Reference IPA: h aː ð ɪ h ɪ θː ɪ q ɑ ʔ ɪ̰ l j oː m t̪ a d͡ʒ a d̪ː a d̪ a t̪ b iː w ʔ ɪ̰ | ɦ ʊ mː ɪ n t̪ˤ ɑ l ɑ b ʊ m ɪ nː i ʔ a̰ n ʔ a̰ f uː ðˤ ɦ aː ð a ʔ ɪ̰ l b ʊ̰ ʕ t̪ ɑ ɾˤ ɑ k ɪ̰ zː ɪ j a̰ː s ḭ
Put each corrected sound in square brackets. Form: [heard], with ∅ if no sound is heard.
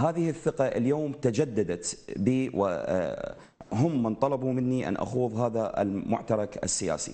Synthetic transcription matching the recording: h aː ð ɪ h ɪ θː ɪ q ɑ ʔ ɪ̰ l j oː m t̪ a d͡ʒ a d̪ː a d̪ a t̪ b iː w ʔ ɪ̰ | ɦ ʊ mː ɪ n t̪ˤ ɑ l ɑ b [u] m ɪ nː i ʔ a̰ n ʔ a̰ [x] uː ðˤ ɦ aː ð a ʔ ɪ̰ l [m] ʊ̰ ʕ t̪ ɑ ɾˤ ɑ k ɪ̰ [sː] ɪ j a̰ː s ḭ